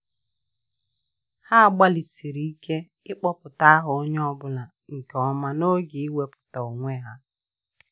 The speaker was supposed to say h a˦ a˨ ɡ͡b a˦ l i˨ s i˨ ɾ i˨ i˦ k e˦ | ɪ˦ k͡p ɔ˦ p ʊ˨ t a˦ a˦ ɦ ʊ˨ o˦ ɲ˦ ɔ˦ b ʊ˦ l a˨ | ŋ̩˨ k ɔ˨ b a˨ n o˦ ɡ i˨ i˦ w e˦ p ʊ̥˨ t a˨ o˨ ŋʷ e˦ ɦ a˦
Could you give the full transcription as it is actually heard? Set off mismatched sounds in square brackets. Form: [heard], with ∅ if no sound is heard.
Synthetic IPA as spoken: h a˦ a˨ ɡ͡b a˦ l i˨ s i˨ ɾ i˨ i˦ k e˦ | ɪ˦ k͡p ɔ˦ p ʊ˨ t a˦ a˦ ɦ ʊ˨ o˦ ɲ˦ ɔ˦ b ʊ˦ l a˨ | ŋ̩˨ k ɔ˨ [m] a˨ n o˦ ɡ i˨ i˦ w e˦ p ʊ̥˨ t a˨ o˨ ŋʷ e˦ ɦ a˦